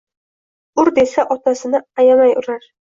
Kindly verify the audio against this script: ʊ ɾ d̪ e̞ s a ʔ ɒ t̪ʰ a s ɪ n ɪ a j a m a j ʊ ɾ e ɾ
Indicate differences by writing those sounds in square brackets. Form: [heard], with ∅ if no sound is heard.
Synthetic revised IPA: ʊ ɾ d̪ e̞ s a ʔ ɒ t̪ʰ a s ɪ n ɪ a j a m a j ʊ ɾ [a] ɾ